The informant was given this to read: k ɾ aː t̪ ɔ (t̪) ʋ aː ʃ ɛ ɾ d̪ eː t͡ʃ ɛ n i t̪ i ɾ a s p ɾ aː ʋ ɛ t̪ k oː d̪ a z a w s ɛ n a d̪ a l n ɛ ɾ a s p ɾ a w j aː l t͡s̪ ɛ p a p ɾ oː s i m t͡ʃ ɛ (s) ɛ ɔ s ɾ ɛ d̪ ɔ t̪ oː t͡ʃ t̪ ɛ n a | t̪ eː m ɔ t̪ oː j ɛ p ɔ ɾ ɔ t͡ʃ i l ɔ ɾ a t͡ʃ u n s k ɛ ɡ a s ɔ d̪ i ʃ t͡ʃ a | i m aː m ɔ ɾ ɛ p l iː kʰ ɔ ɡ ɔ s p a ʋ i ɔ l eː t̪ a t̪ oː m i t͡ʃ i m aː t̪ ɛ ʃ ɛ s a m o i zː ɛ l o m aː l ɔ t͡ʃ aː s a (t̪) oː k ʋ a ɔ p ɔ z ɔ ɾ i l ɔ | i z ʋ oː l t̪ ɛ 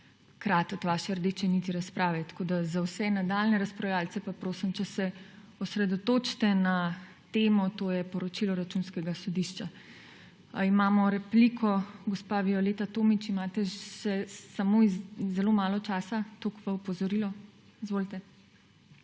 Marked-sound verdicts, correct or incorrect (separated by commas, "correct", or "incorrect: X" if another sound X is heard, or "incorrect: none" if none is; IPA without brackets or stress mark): correct, correct, correct